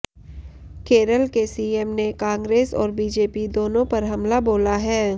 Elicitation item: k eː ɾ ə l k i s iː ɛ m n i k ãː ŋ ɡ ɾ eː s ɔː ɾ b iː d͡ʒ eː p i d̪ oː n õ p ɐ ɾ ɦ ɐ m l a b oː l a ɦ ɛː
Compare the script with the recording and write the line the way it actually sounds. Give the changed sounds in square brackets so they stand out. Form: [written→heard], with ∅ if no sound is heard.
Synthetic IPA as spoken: k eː ɾ ə l k [i→e] s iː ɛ m n [i→e] k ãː ŋ ɡ ɾ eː s ɔː ɾ b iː d͡ʒ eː p i d̪ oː n õ p ɐ ɾ ɦ ɐ m l a b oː l a ɦ ɛː